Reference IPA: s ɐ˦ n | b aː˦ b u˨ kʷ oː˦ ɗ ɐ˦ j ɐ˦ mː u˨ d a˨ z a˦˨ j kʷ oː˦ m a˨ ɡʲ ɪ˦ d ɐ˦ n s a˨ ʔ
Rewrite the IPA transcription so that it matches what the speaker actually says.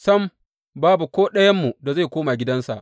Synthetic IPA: s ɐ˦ m | b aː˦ b u˨ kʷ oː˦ ɗ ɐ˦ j ɐ˦ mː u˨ d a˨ z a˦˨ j kʷ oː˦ m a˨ ɡʲ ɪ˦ d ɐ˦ n s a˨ ʔ